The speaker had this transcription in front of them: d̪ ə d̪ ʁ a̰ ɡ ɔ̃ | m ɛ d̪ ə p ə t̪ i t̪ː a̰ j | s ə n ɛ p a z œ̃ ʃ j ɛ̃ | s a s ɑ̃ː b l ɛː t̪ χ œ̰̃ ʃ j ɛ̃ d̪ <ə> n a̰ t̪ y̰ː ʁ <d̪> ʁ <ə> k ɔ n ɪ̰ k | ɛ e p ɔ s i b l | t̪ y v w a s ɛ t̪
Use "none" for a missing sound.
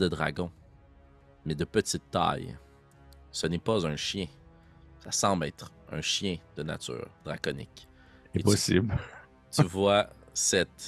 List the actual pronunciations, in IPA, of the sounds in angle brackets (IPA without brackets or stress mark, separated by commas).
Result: ə, d̪, a